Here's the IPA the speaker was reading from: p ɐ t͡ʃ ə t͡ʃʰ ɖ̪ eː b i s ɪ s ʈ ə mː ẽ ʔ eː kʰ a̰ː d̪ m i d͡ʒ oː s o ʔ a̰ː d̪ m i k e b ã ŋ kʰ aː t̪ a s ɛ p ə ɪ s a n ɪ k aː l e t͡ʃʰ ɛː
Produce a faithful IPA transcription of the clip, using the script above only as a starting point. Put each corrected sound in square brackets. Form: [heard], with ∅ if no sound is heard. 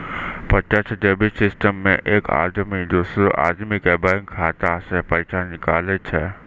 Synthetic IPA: p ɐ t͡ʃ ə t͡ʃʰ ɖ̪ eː b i s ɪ s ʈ ə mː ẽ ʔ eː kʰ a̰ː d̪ m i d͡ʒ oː s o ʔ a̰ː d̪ m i k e b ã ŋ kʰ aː t̪ a s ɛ p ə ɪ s a n ɪ k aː l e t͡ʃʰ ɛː